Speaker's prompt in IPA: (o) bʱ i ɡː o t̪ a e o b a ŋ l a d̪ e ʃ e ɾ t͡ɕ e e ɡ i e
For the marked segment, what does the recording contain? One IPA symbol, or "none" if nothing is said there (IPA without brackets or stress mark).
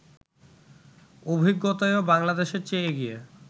o